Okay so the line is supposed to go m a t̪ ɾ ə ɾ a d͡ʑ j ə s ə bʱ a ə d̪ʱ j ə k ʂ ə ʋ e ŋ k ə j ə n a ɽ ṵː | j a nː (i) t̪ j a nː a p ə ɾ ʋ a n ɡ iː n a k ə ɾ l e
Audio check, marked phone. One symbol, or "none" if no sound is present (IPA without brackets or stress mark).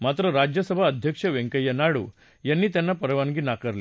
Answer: iː